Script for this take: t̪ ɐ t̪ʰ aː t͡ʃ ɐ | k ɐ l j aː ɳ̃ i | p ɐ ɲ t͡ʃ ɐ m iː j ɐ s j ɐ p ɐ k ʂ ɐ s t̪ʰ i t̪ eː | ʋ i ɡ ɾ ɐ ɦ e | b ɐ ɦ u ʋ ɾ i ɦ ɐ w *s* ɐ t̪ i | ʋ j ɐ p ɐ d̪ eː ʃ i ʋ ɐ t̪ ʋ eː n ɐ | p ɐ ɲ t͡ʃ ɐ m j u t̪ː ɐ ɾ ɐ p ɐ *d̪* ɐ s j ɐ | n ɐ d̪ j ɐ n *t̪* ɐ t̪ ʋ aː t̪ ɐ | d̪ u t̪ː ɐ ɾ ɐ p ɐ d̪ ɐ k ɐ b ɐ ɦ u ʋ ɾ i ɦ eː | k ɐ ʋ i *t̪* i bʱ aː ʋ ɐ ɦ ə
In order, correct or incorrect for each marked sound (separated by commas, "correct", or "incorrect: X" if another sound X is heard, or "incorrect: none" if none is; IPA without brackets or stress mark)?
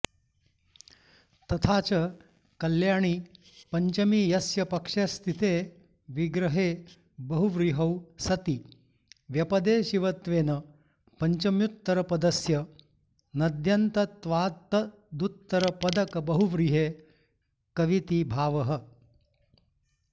correct, correct, correct, correct